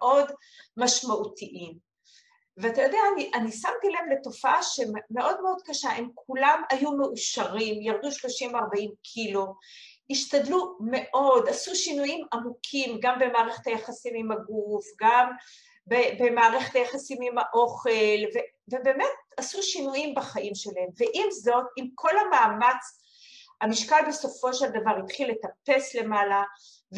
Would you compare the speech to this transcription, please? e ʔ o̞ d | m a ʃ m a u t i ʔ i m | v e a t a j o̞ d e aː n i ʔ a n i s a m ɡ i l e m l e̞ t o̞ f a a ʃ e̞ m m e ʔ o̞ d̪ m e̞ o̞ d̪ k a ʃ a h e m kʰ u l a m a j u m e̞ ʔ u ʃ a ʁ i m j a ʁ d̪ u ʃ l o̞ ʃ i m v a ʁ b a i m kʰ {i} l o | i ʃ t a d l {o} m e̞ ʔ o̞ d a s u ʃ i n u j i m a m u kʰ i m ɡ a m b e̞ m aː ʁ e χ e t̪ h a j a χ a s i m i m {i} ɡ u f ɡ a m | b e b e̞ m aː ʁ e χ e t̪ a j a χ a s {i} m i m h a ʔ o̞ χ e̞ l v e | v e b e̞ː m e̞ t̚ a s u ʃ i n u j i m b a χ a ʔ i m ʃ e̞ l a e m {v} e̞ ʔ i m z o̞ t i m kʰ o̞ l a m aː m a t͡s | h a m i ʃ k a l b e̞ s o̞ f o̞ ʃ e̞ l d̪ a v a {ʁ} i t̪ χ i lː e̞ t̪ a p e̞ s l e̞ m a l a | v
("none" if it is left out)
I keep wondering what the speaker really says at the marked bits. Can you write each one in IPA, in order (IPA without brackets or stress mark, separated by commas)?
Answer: i, u, a, i, v, ʁ